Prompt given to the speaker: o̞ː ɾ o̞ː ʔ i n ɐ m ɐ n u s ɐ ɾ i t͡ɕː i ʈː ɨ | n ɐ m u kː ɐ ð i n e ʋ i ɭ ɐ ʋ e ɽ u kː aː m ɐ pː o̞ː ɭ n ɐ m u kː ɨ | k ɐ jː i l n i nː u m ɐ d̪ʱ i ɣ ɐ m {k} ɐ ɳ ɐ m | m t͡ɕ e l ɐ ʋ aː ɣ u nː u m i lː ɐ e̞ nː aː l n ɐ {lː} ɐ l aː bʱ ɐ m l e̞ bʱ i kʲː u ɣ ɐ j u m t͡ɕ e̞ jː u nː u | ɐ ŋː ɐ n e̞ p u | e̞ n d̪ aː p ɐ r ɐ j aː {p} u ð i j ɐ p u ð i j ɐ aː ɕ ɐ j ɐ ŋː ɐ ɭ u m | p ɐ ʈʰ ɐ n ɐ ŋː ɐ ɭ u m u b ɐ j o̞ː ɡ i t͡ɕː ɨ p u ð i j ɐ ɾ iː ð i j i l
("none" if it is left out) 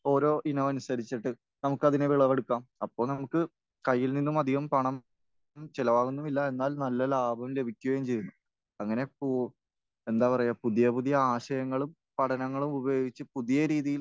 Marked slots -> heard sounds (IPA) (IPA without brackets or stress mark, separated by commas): p, lː, p